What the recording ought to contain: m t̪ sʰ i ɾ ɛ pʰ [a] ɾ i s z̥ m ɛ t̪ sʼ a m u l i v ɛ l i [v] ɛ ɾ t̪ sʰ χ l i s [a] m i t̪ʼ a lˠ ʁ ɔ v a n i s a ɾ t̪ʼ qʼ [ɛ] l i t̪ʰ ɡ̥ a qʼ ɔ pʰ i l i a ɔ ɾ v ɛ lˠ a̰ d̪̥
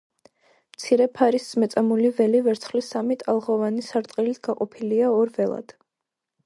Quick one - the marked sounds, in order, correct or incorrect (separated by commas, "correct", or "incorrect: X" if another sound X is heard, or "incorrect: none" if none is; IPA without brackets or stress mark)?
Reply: correct, correct, correct, incorrect: i